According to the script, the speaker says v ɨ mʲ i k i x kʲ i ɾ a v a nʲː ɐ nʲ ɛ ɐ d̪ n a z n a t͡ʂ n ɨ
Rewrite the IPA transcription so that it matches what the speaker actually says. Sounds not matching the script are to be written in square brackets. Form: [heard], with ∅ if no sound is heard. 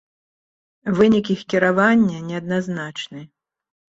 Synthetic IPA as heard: v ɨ [nʲ] i k i x kʲ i ɾ a v a nʲː ɐ nʲ ɛ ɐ d̪ n a z n a t͡ʂ n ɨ